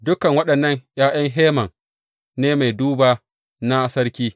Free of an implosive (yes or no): no